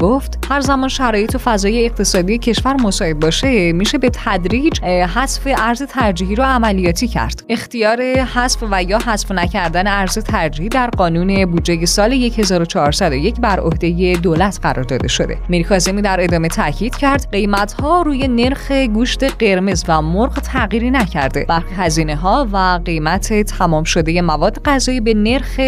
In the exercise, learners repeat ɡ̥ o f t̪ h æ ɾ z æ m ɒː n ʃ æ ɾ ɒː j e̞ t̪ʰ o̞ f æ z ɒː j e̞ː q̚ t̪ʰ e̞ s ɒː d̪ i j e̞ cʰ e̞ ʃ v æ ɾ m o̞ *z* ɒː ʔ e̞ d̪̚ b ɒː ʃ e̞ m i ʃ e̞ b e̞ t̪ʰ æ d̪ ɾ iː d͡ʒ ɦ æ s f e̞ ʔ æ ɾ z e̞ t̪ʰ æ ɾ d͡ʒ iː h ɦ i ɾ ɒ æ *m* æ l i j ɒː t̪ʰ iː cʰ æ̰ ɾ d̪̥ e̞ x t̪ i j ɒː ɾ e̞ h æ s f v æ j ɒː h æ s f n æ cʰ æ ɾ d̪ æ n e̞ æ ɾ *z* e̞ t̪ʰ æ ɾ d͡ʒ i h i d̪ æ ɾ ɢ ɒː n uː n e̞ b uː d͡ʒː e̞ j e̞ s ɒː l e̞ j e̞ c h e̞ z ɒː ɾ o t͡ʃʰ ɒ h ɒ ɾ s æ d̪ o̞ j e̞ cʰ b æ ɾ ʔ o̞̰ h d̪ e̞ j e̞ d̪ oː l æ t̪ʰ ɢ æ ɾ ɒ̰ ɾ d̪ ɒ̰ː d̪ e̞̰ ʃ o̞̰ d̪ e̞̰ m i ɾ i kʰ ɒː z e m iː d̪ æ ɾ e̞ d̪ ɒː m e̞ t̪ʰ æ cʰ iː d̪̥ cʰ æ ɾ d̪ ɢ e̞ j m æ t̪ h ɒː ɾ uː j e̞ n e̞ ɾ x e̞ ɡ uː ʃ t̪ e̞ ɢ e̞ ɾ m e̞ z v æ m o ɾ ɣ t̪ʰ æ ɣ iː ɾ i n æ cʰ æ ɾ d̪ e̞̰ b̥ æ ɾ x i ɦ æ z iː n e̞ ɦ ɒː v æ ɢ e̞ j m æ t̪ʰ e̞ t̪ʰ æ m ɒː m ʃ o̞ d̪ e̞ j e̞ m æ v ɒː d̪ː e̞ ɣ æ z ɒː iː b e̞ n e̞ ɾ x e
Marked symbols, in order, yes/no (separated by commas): no, yes, yes